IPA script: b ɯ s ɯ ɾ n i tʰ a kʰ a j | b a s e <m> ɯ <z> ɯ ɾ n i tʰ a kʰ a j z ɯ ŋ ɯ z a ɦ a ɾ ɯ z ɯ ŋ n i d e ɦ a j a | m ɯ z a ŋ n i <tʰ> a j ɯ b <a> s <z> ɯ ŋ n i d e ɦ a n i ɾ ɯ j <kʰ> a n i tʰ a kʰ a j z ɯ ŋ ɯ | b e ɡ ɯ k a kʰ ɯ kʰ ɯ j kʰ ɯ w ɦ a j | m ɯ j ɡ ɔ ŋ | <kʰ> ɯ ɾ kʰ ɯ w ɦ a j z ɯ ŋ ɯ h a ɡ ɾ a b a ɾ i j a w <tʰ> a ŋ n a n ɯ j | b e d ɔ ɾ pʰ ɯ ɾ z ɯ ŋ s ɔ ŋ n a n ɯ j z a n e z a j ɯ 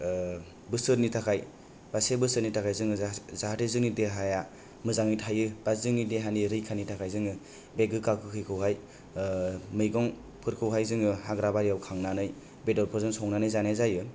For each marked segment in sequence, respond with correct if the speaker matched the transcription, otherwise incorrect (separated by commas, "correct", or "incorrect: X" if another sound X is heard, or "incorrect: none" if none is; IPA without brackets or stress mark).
incorrect: b, incorrect: s, correct, correct, correct, correct, incorrect: pʰ, incorrect: kʰ